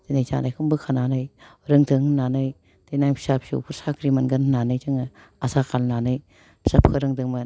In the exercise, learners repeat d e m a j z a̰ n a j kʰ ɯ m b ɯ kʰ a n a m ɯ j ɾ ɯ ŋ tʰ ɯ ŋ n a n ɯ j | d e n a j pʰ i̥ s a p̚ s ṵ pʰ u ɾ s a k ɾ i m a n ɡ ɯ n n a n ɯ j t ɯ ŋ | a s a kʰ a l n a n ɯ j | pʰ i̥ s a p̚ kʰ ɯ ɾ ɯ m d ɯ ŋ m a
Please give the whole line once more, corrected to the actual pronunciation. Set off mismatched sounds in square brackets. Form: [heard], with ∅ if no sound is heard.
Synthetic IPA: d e [n] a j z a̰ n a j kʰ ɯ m b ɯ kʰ a n a [n] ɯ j ɾ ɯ ŋ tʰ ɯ ŋ n a n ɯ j | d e n a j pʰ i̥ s a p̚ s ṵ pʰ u ɾ s a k ɾ i m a n ɡ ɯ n n a n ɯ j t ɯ ŋ | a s a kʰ a l n a n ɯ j | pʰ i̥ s a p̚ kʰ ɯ ɾ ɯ [ŋ] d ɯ ŋ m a